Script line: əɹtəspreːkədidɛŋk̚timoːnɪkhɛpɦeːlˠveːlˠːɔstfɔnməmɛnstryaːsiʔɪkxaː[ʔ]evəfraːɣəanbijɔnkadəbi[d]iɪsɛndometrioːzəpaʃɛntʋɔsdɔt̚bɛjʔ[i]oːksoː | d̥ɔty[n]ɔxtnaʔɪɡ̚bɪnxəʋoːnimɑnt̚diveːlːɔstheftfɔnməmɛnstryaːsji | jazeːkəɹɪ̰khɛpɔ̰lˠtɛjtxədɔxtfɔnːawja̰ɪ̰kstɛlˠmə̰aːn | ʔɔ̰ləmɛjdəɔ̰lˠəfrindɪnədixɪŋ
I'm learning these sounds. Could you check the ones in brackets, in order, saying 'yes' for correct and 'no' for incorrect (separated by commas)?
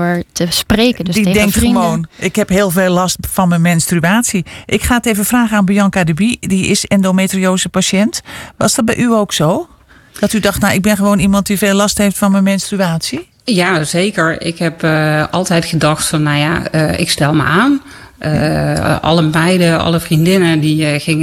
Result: no, yes, no, no